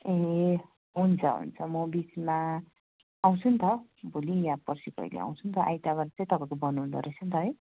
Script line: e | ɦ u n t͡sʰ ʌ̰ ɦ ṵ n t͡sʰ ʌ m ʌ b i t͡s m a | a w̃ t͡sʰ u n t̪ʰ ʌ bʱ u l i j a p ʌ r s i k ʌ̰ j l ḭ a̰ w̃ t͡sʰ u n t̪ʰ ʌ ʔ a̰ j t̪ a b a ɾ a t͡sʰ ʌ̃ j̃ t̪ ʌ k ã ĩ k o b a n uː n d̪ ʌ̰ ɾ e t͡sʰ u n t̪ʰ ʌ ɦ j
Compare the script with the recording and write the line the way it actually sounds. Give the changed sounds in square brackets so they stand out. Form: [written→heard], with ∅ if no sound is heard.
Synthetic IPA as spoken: e | ɦ u n t͡sʰ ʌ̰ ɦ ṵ n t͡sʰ ʌ m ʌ b i t͡s m a | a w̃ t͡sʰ u n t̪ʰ ʌ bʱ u l i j a p ʌ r s i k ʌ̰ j l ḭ a̰ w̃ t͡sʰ u n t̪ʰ ʌ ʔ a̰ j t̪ a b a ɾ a [t͡sʰ→t͡s] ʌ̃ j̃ t̪ ʌ [k→p] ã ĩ k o b [a→ʌ] n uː n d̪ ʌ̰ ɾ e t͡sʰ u n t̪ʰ ʌ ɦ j